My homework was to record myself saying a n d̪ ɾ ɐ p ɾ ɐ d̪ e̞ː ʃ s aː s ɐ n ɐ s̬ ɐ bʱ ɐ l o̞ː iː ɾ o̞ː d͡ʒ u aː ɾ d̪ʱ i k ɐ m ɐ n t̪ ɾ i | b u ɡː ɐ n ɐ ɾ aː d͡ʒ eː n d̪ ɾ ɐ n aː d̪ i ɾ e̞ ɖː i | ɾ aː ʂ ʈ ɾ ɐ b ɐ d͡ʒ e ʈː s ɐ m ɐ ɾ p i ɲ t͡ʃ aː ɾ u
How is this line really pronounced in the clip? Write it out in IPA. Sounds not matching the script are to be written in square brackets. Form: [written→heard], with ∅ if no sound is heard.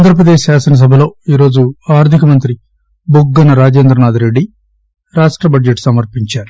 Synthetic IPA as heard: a n d̪ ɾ ɐ p ɾ ɐ d̪ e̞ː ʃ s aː s ɐ n ɐ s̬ ɐ bʱ ɐ l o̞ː iː ɾ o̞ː d͡ʒ u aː ɾ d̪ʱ i k ɐ m ɐ n t̪ ɾ i | b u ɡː ɐ n ɐ ɾ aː d͡ʒ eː n d̪ ɾ ɐ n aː d̪ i ɾ e̞ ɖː i | ɾ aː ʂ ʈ ɾ ɐ b ɐ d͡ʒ e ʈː s ɐ m ɐ ɾ p i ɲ t͡ʃ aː ɾ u